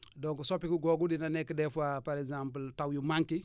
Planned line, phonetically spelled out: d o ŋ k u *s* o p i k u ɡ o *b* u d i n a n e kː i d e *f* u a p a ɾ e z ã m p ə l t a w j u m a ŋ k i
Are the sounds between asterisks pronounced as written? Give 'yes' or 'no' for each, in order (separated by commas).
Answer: yes, no, yes